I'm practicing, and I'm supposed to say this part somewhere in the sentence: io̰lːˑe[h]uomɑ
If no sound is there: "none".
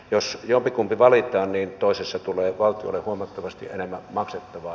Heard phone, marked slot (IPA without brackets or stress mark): h